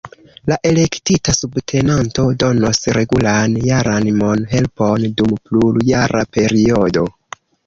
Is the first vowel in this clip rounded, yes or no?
no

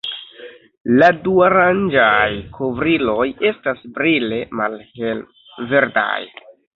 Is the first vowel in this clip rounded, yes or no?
no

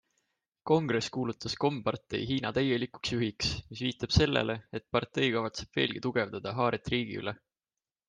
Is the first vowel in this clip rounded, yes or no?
yes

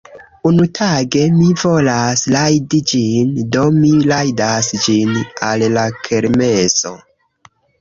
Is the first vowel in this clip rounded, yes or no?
yes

